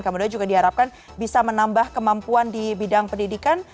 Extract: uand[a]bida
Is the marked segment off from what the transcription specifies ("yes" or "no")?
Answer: yes